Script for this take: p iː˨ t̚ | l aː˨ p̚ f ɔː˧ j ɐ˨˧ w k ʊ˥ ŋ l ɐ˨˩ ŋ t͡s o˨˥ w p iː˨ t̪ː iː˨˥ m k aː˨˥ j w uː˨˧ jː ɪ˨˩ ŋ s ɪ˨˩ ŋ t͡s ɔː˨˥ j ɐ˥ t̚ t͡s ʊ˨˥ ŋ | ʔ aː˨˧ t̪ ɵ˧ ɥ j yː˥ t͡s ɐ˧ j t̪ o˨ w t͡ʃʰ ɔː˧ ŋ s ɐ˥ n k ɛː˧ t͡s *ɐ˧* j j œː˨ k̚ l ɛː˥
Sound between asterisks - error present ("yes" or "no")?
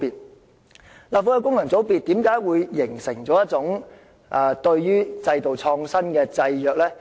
no